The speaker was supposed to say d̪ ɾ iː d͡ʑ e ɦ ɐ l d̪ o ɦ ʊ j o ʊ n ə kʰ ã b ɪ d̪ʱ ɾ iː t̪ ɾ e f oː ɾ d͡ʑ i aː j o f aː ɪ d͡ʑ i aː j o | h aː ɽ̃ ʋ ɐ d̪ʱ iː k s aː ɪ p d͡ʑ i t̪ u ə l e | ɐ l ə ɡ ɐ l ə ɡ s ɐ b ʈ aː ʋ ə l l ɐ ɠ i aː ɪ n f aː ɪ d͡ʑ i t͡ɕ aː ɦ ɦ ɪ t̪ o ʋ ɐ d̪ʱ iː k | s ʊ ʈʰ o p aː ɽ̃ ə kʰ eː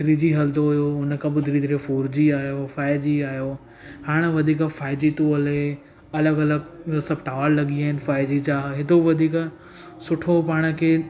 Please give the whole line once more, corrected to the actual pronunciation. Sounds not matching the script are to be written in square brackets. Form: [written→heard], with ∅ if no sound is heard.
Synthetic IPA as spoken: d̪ ɾ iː d͡ʑ [e→i] ɦ ɐ l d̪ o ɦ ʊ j o ʊ n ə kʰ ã b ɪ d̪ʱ ɾ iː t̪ ɾ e f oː ɾ d͡ʑ i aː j o f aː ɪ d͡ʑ i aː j o | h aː ɽ̃ ʋ ɐ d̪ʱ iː k [s→f] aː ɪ [p→∅] d͡ʑ i t̪ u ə l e | ɐ l ə ɡ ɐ l ə ɡ s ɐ b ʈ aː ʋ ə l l ɐ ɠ i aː ɪ n f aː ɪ d͡ʑ i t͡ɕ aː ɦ ɦ ɪ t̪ o ʋ ɐ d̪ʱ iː k | s ʊ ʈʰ o p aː ɽ̃ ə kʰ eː